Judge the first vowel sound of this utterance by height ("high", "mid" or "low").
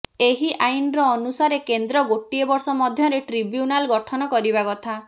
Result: mid